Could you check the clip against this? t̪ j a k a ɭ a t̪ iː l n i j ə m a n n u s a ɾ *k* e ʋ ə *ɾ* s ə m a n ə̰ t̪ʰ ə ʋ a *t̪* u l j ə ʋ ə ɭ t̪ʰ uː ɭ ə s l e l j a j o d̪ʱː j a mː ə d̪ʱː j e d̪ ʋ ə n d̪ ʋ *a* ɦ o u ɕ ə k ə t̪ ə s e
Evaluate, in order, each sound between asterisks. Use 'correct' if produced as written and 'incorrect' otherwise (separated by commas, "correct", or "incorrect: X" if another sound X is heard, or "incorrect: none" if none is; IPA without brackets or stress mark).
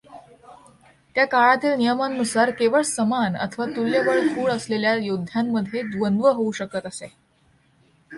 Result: correct, incorrect: ɭ, correct, incorrect: ə